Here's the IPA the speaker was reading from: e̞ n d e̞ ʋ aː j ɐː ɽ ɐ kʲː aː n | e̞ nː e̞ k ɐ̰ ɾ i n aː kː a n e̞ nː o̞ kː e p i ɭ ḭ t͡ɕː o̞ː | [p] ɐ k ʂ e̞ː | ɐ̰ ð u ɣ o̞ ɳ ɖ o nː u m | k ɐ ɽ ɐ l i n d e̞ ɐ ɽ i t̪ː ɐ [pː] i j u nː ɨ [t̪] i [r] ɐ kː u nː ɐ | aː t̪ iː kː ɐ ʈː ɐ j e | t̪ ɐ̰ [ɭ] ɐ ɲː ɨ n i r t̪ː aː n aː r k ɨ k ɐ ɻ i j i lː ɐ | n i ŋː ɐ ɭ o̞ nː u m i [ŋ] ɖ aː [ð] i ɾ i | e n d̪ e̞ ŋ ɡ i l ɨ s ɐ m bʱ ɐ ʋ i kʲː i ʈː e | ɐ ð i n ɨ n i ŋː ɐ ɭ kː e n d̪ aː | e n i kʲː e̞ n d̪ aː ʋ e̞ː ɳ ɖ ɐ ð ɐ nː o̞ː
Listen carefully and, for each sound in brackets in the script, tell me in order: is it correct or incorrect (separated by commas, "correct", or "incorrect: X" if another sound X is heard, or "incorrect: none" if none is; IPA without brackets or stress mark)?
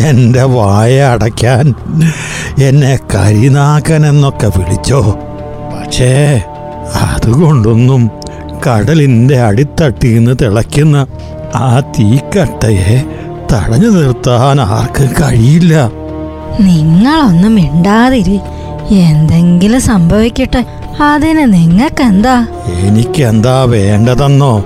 correct, incorrect: ʈː, correct, incorrect: ɭ, incorrect: ɽ, incorrect: ɳ, correct